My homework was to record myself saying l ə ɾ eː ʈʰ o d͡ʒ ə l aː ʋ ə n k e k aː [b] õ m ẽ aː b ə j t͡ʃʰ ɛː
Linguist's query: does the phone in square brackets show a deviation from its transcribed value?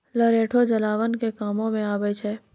yes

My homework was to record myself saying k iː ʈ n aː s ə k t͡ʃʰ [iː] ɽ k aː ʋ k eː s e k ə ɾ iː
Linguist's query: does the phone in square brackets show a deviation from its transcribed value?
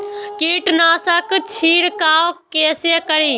no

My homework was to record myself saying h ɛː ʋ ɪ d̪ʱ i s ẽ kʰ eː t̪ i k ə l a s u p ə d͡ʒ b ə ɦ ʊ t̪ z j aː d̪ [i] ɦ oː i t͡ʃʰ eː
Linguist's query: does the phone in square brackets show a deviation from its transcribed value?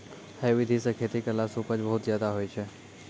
yes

